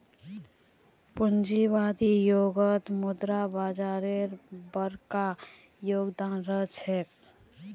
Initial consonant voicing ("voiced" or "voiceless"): voiceless